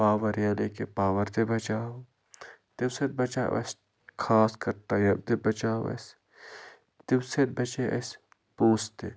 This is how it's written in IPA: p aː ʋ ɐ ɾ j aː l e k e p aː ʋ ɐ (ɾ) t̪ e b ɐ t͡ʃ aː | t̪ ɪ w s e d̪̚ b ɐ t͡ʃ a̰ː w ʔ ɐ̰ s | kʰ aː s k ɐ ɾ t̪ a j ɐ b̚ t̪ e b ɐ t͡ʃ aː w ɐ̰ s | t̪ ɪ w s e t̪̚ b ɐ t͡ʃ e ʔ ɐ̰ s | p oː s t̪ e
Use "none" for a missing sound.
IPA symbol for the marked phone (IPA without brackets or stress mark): ɾ